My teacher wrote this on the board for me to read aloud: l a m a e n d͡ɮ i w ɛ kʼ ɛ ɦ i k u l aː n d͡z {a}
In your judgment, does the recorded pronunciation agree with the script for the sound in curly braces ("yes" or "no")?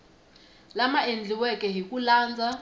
yes